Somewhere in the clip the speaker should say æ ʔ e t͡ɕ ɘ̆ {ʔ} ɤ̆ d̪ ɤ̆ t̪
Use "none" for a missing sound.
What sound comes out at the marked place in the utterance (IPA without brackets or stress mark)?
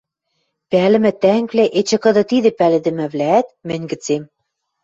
k